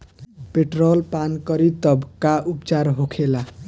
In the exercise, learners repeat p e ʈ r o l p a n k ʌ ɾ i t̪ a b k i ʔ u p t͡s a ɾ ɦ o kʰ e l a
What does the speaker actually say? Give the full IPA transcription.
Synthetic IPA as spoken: p e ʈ r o l p a n k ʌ ɾ i t̪ ʌ b k a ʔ u p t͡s a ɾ ɦ o kʰ e l a